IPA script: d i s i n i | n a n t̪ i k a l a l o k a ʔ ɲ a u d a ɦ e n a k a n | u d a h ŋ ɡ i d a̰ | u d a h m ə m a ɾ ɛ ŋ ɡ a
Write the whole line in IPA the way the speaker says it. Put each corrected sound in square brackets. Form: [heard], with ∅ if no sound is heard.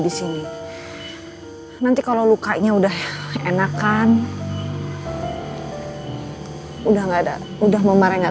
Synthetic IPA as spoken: d i s i n i | n a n t̪ i k a l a l [u] k a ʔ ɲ a u d a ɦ e n a k a n | u d a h ŋ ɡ [a] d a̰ | u d a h m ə m a ɾ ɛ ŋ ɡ a